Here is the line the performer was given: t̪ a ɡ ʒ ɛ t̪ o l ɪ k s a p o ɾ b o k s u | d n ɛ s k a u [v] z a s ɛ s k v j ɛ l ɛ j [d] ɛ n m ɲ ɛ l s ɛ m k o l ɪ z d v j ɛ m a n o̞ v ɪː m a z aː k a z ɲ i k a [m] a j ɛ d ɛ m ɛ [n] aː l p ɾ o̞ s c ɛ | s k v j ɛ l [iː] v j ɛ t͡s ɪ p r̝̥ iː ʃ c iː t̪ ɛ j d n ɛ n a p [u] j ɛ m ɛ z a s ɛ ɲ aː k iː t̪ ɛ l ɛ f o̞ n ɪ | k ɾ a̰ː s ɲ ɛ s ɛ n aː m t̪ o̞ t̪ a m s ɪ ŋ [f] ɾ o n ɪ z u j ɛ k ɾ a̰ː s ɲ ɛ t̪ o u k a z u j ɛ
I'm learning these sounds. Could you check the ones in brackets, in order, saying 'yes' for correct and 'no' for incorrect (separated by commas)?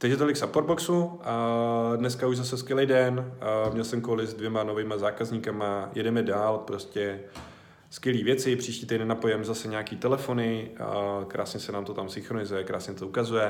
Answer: no, yes, yes, no, yes, no, no